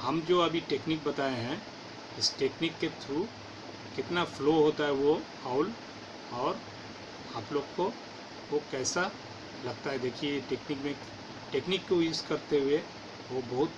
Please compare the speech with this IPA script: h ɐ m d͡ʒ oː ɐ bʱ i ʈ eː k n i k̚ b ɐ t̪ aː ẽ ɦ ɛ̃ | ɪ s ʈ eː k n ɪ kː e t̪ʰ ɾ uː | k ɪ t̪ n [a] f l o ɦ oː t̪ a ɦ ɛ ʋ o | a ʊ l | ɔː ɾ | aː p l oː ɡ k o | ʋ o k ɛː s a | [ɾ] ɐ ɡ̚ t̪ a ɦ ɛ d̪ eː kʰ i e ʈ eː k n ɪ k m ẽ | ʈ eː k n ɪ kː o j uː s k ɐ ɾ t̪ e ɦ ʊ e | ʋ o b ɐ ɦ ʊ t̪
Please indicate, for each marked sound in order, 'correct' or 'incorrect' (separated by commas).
correct, incorrect